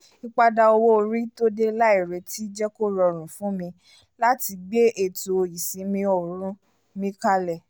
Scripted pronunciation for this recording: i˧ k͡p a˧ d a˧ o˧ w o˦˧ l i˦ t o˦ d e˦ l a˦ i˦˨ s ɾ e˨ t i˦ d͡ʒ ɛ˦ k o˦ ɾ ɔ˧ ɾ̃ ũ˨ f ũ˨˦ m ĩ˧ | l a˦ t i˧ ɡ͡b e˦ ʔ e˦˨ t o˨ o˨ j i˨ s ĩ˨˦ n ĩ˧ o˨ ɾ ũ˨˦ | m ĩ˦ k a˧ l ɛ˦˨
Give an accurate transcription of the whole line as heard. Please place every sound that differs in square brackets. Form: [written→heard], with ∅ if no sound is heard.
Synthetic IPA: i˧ k͡p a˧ d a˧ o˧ w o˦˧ [l→ɾ] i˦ t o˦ d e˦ l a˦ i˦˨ [s→∅] ɾ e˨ t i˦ d͡ʒ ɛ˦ k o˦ ɾ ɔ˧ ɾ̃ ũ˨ f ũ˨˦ m ĩ˧ | l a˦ t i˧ ɡ͡b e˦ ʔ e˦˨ t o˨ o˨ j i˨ s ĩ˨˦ [n→m] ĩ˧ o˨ ɾ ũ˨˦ | m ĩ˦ k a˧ l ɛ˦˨